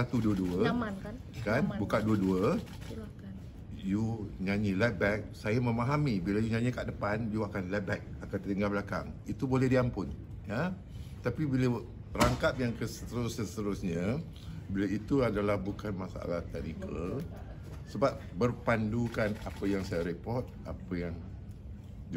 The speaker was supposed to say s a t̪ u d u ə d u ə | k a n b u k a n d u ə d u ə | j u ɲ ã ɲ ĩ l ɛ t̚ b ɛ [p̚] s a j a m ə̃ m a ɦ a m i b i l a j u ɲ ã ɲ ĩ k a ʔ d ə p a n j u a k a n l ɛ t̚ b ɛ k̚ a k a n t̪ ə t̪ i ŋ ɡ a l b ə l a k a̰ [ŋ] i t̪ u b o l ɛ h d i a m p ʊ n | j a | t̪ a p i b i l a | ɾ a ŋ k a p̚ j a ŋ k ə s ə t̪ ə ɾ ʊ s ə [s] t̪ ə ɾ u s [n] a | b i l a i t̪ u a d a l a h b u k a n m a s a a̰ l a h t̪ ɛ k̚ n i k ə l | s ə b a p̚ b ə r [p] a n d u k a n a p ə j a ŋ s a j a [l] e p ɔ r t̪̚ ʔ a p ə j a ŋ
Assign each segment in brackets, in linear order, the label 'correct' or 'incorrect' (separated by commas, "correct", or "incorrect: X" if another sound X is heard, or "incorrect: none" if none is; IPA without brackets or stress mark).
incorrect: k̚, correct, correct, incorrect: ɲ, correct, incorrect: ɾ